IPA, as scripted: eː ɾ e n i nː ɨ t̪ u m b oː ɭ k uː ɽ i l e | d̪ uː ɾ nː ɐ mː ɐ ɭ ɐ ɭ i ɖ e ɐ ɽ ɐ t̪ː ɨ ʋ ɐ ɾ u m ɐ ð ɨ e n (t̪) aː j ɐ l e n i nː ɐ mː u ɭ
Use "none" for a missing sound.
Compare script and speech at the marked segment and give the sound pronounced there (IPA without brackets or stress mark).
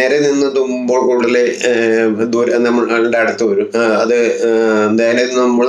d̪